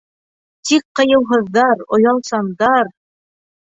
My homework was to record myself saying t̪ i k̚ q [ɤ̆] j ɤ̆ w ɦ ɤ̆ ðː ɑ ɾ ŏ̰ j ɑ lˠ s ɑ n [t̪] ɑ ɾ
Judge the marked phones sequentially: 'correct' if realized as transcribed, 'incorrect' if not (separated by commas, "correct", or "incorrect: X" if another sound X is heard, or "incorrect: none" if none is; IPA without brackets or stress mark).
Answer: correct, incorrect: d̪